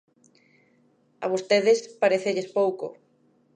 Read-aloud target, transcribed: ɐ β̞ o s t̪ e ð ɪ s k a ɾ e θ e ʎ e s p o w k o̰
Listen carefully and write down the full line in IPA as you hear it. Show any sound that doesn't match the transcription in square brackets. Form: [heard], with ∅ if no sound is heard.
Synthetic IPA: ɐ β̞ o s t̪ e ð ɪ s [p] a ɾ e θ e ʎ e s p o w k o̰